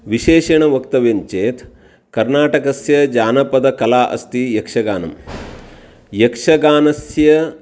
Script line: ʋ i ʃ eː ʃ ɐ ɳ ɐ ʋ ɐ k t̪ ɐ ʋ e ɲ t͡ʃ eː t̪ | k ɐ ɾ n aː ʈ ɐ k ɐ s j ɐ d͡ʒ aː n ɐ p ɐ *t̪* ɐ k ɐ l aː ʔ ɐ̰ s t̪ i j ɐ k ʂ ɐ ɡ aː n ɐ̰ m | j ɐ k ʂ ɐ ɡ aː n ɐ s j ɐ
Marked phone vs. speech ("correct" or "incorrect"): incorrect